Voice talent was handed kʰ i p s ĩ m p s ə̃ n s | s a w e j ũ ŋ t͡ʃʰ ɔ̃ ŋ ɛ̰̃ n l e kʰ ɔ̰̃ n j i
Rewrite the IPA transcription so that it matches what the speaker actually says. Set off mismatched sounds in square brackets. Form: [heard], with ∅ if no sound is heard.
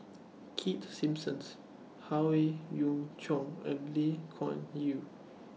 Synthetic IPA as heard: kʰ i [t] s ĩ m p s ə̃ n s | [h] a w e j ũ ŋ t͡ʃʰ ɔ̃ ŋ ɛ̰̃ n l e kʰ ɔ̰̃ n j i